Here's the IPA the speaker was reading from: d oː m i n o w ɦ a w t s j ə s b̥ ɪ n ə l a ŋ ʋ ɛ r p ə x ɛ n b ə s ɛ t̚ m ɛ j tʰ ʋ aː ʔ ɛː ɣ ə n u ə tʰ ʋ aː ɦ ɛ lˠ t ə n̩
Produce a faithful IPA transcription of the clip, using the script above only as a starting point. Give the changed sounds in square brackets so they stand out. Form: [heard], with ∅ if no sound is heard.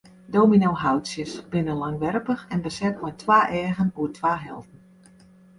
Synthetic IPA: d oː m i n o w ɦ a w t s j ə s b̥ ɪ n ə l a ŋ ʋ ɛ r p ə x ɛ n b ə s ɛ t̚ m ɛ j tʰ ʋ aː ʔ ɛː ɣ ə n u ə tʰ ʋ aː ɦ ɛ lˠ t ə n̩